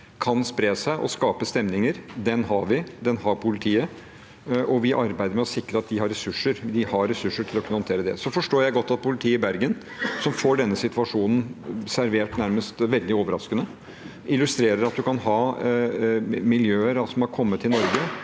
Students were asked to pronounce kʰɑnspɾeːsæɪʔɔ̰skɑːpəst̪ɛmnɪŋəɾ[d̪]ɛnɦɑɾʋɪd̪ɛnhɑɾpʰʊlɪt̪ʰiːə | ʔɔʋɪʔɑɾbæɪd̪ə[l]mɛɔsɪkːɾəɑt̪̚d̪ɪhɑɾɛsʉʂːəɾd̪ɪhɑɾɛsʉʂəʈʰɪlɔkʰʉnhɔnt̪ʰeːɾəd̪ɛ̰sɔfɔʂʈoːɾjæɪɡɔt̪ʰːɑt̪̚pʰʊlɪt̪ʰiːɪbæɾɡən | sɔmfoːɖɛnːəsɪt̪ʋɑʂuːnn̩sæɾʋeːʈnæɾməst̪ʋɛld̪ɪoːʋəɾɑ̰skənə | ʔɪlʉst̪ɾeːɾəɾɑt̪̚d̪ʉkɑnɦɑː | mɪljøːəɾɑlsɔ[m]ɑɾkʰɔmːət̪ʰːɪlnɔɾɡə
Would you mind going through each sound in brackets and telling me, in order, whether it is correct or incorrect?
correct, incorrect, correct

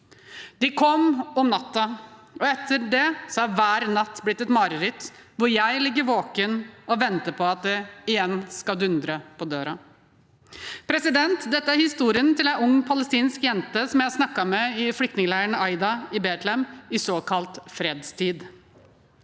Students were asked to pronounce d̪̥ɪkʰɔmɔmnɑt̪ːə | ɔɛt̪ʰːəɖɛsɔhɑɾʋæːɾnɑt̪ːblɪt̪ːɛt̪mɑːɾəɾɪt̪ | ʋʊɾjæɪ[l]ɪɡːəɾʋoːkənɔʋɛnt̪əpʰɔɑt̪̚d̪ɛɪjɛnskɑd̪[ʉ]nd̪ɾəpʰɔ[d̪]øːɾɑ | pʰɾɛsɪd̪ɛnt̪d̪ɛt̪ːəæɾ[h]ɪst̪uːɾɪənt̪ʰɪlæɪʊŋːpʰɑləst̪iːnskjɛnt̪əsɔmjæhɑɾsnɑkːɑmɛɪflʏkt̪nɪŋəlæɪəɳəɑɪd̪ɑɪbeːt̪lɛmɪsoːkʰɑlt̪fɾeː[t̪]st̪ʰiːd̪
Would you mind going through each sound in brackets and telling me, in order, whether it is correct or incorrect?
correct, correct, correct, correct, incorrect

